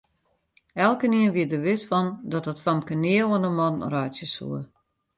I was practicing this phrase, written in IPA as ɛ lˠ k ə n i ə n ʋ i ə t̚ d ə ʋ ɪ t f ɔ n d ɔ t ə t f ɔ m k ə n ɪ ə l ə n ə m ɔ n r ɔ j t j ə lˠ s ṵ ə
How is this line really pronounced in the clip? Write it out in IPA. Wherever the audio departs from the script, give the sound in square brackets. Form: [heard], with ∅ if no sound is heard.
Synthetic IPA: ɛ lˠ k ə n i ə n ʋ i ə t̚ d ə ʋ ɪ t f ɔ n d ɔ t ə t f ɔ m k ə n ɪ ə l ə n ə m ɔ n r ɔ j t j ə [∅] s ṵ ə